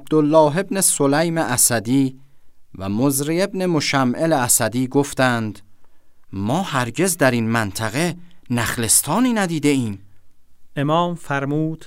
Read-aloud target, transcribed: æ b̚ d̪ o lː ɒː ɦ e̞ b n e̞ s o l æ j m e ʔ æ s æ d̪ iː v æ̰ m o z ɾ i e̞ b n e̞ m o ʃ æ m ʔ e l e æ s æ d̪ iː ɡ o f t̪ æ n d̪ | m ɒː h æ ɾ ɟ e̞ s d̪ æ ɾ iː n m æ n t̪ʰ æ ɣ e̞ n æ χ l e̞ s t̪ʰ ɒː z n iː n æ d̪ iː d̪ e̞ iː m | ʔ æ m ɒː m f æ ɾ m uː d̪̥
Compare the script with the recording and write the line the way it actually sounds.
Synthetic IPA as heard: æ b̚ d̪ o lː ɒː ɦ e̞ b n e̞ s o l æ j m e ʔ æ s æ d̪ iː v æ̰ m o z ɾ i e̞ b n e̞ m o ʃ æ m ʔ e l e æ s æ d̪ iː ɡ o f t̪ æ n d̪ | m ɒː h æ ɾ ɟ e̞ z d̪ æ ɾ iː n m æ n t̪ʰ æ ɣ e̞ n æ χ l e̞ s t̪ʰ ɒː n iː n æ d̪ iː d̪ e̞ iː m | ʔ e m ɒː m f æ ɾ m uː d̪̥